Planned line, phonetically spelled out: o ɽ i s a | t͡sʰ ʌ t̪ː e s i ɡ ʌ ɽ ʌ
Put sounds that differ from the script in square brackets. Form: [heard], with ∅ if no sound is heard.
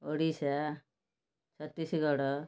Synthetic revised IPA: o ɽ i s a | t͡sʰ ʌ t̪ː [i] s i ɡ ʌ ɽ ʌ